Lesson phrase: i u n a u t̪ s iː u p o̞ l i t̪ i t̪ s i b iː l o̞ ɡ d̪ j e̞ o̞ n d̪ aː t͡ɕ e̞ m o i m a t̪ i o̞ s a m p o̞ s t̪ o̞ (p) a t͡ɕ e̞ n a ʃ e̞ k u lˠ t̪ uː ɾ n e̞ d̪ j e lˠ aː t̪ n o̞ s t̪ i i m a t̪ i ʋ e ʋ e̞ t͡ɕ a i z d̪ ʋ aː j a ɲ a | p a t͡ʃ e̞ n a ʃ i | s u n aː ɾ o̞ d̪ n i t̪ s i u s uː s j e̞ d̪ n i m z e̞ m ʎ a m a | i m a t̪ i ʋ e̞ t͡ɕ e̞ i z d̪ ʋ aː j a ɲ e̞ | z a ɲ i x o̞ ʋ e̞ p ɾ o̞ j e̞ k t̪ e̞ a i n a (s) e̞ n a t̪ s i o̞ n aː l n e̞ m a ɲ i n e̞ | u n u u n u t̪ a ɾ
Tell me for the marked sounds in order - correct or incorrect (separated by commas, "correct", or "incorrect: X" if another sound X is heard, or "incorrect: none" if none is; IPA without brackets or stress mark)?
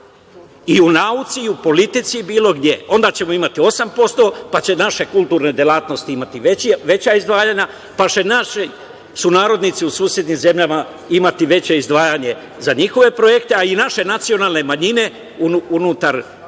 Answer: correct, incorrect: ʃ